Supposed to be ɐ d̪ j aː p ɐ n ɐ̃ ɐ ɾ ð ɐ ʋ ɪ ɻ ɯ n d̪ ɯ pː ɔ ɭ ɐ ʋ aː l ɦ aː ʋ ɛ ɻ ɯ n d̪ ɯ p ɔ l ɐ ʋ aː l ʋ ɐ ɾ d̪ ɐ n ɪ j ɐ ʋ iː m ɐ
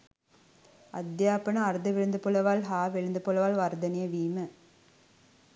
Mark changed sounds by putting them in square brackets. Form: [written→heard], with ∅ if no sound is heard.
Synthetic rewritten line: ɐ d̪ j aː p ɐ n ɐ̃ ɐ ɾ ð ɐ ʋ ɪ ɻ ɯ n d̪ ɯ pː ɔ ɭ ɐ ʋ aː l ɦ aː ʋ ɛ ɻ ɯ n d̪ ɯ p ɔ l ɐ ʋ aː l ʋ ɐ ɾ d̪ ɐ n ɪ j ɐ ʋ iː m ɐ

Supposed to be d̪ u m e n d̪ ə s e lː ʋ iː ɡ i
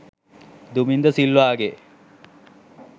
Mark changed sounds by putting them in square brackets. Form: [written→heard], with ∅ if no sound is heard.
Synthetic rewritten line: d̪ u m [e→i] n d̪ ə s [e→i] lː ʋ [iː→aː] ɡ [i→e]

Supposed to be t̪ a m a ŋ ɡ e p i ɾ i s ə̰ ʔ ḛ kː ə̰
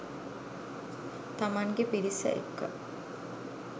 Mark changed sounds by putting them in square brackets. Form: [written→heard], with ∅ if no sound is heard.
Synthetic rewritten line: t̪ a m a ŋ ɡ e p i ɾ i s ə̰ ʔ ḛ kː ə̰

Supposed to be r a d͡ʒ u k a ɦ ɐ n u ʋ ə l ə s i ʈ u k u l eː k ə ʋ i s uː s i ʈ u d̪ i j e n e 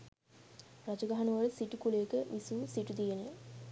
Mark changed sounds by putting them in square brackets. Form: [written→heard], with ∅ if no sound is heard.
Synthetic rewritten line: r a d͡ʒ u [k→ɡ] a ɦ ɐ n u ʋ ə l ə s i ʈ u k u l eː k ə ʋ i s uː s i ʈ u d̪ i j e n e

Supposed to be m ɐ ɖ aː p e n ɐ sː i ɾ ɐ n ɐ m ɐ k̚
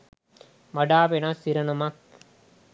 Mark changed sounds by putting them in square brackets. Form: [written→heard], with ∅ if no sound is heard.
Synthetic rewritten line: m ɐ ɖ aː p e n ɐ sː i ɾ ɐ n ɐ m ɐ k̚

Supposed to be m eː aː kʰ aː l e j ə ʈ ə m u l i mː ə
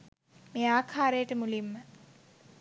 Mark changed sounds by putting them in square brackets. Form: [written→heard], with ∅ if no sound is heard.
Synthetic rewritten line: m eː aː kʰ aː [l→ɾ] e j ə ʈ ə m u l i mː ə

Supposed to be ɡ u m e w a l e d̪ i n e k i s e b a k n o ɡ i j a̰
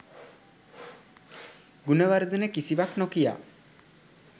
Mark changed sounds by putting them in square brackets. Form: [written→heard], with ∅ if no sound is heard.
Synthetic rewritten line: ɡ u [m→n] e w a [l→ɾ] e d̪ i n e k i s [e→i] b a k n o [ɡ→k] i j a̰

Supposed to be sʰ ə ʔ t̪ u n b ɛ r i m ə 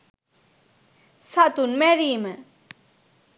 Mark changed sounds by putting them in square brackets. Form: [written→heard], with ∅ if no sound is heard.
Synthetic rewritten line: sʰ [ə→a] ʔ t̪ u n [b→m] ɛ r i m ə

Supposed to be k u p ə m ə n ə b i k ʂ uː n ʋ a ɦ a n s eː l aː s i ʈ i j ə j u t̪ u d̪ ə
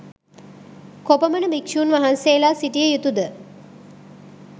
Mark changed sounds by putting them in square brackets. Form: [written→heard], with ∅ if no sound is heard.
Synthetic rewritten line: k [u→o] p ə m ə n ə b i k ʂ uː n ʋ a ɦ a n s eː l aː s i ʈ i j ə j u t̪ u d̪ ə

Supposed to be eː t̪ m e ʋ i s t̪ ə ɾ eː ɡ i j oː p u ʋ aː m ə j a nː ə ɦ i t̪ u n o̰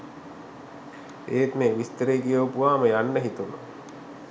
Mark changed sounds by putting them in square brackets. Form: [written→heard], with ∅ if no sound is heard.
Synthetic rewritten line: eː t̪ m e ʋ i s t̪ ə ɾ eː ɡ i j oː p u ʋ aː m ə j a nː ə ɦ i t̪ u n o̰

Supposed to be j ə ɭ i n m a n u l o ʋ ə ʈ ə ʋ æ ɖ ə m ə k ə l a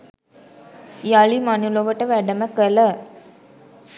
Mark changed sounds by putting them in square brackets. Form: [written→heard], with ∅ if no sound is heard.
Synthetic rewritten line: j [ə→a] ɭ i [n→∅] m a n u l o ʋ ə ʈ ə ʋ æ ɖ ə m ə k ə l [a→ə]

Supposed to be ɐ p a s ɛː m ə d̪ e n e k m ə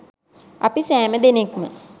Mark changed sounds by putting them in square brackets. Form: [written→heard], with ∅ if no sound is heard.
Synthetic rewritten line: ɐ p [a→i] s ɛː m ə d̪ e n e k m ə

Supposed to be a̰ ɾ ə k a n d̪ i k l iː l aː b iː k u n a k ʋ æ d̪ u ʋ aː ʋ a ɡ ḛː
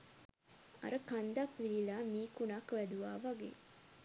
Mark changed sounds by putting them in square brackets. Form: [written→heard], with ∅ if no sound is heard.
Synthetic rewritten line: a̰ ɾ ə k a n d̪ [i→a] k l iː l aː [b→m] iː k u n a k ʋ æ d̪ u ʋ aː ʋ a ɡ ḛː

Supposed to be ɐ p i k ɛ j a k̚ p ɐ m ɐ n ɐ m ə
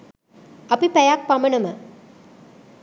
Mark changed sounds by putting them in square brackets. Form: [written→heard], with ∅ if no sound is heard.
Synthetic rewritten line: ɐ p i [k→p] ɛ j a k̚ p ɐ m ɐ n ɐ m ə

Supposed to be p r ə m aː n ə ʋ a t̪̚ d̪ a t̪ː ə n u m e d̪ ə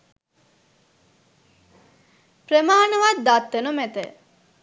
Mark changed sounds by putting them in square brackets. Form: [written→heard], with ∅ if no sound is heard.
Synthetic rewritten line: p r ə m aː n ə ʋ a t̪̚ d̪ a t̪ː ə n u m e [d̪→t̪] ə

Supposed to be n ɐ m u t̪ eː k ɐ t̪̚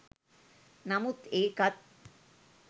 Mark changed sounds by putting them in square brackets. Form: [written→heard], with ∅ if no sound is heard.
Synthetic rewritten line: n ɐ m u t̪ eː k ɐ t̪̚

